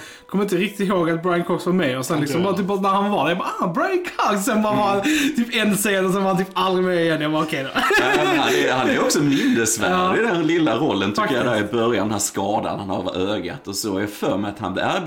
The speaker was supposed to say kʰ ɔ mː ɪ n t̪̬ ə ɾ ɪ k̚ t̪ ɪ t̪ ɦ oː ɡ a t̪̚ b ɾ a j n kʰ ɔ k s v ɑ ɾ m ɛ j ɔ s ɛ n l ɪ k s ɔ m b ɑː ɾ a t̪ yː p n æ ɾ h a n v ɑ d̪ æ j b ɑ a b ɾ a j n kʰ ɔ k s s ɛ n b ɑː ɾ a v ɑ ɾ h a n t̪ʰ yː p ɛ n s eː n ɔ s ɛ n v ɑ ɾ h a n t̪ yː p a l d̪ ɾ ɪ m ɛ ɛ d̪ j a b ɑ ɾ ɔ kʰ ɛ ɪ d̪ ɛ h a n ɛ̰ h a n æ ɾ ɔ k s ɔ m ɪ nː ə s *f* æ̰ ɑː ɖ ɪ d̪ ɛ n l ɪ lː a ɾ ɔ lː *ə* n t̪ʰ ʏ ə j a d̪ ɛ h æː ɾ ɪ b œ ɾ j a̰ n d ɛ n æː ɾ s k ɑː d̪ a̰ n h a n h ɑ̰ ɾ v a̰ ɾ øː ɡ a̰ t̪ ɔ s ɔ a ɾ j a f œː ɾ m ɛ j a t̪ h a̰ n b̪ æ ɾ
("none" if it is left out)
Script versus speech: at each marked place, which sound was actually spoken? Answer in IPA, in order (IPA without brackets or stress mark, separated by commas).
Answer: v, ə